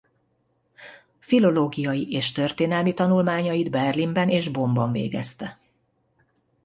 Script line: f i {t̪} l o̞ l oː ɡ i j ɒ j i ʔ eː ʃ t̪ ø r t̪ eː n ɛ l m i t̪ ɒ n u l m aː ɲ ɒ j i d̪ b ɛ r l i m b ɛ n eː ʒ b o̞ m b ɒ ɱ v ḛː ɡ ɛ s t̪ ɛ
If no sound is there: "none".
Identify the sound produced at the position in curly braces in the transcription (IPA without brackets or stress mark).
none